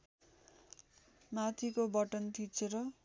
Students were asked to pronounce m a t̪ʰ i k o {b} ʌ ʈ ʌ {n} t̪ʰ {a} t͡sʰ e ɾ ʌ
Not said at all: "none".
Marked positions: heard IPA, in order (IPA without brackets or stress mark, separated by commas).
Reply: b, n, i